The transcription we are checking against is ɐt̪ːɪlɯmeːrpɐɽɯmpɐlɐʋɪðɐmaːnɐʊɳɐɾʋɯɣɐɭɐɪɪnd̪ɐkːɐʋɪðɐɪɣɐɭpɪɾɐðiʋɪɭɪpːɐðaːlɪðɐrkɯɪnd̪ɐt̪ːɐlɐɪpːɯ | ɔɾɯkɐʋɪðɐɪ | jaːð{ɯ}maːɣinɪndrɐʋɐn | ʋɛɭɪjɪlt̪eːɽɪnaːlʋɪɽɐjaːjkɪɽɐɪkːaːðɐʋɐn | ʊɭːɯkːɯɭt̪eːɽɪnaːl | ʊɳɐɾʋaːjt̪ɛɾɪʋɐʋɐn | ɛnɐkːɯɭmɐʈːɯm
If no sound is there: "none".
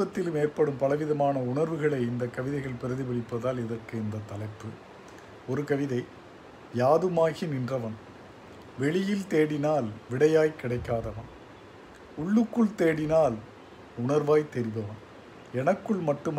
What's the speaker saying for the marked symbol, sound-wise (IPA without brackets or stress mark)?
ɯ